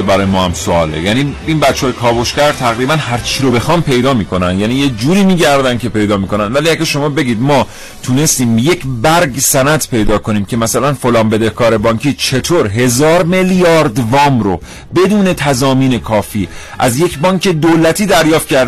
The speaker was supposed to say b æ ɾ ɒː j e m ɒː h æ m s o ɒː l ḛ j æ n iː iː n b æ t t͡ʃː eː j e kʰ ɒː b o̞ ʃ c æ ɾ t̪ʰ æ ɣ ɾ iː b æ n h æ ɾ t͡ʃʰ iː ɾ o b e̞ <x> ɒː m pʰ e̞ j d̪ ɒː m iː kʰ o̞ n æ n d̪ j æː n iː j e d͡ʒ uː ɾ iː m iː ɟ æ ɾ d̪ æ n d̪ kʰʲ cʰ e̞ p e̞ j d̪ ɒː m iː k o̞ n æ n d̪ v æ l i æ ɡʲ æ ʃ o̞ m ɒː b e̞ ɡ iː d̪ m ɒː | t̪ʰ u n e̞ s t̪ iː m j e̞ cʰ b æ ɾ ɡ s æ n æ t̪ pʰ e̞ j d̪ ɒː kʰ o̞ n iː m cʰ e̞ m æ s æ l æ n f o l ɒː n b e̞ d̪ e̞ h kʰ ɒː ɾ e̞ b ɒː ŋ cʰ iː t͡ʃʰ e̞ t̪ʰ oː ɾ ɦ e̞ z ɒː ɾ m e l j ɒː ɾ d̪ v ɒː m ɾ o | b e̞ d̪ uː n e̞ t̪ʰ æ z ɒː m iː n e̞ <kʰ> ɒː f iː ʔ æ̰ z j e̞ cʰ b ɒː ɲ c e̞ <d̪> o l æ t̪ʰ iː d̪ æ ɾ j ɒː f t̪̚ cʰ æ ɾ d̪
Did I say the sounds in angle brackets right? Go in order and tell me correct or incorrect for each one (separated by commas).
correct, correct, correct